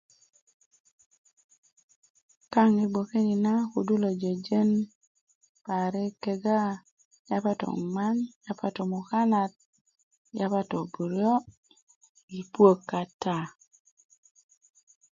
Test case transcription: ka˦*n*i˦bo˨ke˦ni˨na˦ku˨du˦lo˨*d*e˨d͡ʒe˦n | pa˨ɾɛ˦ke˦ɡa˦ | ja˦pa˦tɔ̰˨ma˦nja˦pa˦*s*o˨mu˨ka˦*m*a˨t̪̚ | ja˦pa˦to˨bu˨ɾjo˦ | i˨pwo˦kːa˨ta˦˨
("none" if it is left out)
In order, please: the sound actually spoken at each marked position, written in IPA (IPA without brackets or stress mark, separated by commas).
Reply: ŋ, d͡ʒ, t, n